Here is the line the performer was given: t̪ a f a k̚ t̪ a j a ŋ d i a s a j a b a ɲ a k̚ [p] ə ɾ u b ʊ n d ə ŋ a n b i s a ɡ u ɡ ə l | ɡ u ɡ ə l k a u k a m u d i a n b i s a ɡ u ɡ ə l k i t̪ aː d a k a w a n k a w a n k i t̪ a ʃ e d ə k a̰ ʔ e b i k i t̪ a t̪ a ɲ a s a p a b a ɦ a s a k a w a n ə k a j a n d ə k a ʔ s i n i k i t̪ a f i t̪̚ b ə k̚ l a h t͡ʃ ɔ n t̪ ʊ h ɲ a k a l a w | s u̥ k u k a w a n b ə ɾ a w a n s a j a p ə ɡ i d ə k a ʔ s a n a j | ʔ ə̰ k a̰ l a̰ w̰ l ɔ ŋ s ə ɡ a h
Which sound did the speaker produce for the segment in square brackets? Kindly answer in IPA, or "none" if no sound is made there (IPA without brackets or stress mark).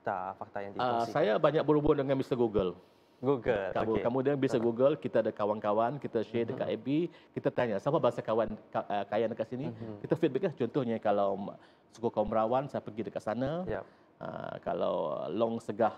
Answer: b